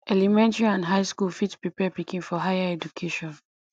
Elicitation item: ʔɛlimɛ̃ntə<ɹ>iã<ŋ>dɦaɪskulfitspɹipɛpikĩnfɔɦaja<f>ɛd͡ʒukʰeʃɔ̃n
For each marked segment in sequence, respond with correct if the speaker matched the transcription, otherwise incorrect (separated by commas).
correct, incorrect, incorrect